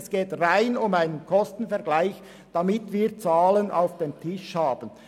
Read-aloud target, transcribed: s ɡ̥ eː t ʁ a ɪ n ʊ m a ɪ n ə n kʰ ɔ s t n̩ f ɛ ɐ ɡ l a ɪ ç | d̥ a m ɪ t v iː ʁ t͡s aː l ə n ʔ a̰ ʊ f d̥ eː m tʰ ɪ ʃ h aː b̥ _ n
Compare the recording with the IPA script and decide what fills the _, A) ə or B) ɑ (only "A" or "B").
A